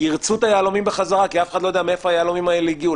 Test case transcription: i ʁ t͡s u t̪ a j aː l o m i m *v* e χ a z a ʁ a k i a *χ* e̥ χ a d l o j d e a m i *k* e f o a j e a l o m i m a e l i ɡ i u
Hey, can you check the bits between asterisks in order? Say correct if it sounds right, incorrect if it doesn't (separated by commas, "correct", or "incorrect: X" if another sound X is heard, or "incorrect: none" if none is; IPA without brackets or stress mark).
incorrect: b, incorrect: f, incorrect: none